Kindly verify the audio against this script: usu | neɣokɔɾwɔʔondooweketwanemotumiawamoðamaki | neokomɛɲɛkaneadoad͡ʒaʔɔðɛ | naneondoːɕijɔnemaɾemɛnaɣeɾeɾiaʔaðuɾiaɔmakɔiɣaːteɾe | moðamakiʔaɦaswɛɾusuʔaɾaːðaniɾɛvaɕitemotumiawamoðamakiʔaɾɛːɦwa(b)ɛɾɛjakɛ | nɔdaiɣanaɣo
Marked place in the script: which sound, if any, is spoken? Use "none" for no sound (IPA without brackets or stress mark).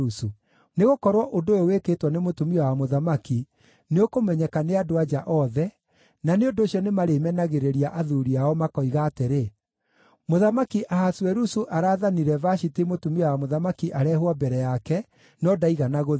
b